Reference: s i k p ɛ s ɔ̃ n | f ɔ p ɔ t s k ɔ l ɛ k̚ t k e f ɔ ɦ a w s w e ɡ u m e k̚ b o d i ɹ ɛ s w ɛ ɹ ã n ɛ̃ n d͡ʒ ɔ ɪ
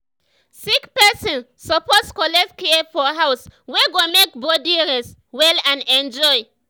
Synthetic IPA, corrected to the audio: s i k p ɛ s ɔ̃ n | s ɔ p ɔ t s k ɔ l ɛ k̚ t k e f ɔ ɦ a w s w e ɡ o m e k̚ b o d i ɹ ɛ s w ɛ l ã n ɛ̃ n d͡ʒ ɔ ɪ